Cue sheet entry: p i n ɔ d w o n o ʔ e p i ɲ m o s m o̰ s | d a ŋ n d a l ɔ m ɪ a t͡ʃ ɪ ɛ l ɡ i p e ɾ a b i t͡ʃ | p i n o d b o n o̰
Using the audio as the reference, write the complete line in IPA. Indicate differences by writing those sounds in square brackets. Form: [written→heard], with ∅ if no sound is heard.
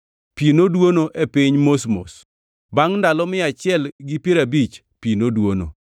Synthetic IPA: p i n [ɔ→o] d w o n o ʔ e p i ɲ m o s m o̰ s | [d→b] a ŋ n d a l ɔ m ɪ a t͡ʃ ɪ ɛ l ɡ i p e ɾ a b i t͡ʃ | p i n o d [b→w] o n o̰